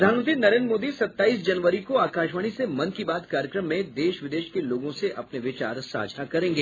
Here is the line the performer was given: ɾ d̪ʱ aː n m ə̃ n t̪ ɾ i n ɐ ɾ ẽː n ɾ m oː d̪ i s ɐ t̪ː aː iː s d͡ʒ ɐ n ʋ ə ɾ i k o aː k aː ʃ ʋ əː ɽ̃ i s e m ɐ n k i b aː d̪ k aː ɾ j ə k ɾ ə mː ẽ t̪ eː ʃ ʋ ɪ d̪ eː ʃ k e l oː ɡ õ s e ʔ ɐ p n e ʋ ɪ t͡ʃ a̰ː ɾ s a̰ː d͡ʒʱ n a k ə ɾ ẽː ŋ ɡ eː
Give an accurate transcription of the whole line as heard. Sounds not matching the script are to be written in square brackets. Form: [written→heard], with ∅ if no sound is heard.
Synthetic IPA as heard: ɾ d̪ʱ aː n m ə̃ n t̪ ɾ i n ɐ ɾ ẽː n ɾ m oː d̪ i s ɐ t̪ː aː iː s d͡ʒ ɐ n ʋ ə ɾ i k o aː k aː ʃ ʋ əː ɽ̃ i s e m ɐ n k i b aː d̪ k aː ɾ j ə k ɾ ə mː ẽ [t̪→d̪] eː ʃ ʋ ɪ d̪ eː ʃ k e l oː ɡ õ s e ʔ ɐ p n e ʋ ɪ t͡ʃ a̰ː ɾ s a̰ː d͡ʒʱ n a k [ə→ɐ] ɾ ẽː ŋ ɡ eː